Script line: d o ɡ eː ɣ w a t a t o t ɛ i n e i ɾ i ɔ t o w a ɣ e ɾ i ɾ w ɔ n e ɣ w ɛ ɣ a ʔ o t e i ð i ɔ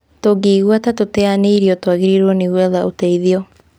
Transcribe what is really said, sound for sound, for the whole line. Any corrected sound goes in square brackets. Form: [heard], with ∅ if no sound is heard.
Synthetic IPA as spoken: [t] o ɡ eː ɣ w a t a t o t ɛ [a] n e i ɾ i ɔ t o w a ɣ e ɾ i ɾ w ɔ n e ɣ w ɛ [ð] a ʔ o t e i ð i ɔ